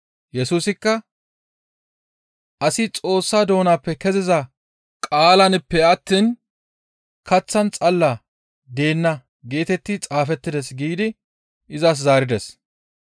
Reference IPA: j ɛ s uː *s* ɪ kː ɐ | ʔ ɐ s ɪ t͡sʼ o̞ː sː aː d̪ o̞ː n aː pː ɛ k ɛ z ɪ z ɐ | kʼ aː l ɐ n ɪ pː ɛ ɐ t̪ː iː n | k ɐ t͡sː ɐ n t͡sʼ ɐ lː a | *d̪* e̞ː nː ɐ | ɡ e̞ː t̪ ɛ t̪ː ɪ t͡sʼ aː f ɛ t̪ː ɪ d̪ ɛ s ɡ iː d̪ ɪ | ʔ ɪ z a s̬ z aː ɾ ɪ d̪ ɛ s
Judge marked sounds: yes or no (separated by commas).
yes, yes